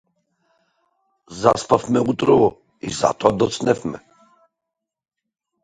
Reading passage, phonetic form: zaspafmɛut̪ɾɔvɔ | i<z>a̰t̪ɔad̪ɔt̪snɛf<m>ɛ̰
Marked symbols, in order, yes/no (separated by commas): yes, yes